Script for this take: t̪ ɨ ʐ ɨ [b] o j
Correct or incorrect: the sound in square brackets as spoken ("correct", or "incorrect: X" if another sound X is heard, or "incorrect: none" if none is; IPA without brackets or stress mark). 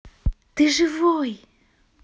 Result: incorrect: v